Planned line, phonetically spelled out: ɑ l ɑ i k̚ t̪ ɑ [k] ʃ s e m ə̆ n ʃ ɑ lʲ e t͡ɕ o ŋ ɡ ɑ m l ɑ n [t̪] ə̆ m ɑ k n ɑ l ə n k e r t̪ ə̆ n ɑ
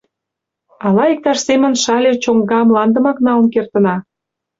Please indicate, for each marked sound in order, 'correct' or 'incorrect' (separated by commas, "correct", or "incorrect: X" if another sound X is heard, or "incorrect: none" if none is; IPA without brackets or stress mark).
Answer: incorrect: none, incorrect: d̪